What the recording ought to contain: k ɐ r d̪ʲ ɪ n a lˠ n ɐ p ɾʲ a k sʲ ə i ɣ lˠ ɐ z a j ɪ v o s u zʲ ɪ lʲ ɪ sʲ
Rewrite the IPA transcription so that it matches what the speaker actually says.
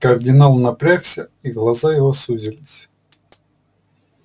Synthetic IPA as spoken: k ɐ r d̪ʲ ɪ n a lˠ n ɐ p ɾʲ a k sʲ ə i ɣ lˠ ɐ z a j ɪ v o s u zʲ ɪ lʲ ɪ sʲ